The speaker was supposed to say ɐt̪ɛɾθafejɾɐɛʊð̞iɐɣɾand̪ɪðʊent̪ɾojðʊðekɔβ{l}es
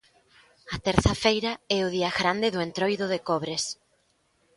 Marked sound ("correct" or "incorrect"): incorrect